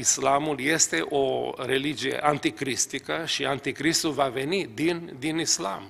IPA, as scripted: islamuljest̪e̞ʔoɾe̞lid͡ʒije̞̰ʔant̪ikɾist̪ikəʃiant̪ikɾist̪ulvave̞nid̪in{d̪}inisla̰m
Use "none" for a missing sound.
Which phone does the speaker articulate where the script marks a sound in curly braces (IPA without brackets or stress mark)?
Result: d̪